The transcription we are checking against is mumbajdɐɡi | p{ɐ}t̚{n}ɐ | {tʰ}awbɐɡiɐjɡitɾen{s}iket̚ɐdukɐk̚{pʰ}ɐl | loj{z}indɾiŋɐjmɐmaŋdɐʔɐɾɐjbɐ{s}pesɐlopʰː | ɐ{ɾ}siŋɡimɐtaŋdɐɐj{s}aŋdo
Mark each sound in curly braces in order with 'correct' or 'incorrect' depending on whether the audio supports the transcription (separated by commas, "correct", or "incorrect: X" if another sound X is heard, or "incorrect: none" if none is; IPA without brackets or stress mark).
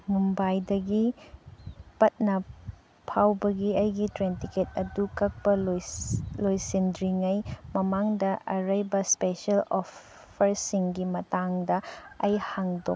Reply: correct, correct, incorrect: pʰ, incorrect: t, incorrect: p, incorrect: s, correct, correct, incorrect: h